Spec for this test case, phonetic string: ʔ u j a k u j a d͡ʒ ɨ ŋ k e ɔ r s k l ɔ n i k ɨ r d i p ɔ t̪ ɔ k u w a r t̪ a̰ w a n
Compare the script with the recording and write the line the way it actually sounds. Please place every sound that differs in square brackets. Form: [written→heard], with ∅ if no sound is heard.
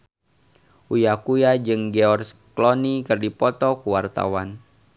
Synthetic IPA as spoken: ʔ u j a k u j a d͡ʒ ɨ ŋ [k→ɡ] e ɔ r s k l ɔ n i k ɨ r d i p ɔ t̪ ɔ k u w a r t̪ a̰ w a n

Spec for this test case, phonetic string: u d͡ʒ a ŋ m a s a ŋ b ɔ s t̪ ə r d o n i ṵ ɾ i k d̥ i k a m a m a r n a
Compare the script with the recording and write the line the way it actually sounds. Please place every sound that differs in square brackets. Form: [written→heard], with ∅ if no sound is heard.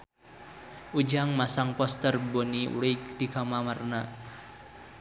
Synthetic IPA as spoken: u d͡ʒ a ŋ m a s a ŋ [b→p] ɔ s t̪ ə r [d→b] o n i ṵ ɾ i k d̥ i k a m a m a r n a

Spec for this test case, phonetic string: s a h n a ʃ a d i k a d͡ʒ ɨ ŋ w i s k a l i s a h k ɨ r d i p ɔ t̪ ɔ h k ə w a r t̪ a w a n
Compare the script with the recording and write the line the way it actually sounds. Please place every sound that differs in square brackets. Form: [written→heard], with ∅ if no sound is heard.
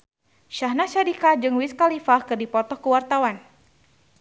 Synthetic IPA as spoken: [s→ʃ] a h n a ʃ a d i k a d͡ʒ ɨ ŋ w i s k a l i [s→f] a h k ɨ r d i p ɔ t̪ ɔ h k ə w a r t̪ a w a n

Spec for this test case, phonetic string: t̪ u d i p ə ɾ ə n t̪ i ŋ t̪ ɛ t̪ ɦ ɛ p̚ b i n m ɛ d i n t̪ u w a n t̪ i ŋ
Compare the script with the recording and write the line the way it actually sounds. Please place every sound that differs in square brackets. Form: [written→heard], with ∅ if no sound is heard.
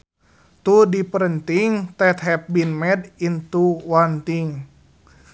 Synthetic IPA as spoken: t̪ u d i p ə ɾ ə n t̪ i ŋ t̪ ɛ t̪ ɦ ɛ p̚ b i n m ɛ d i n t̪ u w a n t̪ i ŋ

